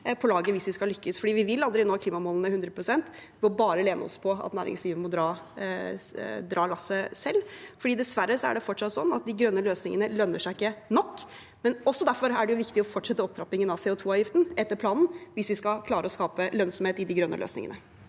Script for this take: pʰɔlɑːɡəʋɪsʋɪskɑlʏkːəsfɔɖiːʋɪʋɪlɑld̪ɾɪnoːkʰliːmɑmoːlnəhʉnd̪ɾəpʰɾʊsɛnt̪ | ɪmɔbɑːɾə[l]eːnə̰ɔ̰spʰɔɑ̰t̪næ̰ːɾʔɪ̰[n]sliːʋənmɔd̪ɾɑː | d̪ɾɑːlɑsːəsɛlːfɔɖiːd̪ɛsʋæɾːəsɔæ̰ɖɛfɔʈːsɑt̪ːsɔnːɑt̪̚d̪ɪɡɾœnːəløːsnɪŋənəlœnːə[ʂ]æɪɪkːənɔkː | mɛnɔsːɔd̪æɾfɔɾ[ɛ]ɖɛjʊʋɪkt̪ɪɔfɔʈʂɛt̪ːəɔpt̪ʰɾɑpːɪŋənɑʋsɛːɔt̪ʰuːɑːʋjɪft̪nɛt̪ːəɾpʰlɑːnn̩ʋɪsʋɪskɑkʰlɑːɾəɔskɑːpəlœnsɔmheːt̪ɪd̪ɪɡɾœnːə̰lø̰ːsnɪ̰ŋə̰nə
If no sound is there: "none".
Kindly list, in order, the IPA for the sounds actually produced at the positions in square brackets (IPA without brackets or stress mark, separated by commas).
l, ŋ, ʂ, æ